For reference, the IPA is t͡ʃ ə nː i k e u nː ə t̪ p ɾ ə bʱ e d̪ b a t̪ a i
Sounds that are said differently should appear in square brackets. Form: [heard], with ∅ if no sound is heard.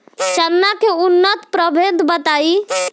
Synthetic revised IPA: t͡ʃ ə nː [a] k e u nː ə t̪ p ɾ ə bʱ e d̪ b [ə] t̪ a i